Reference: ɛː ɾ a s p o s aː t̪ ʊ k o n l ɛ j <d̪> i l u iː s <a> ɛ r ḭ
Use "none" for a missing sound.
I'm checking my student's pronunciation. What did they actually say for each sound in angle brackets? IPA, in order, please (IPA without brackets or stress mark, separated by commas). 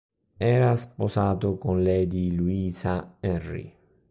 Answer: d̪, a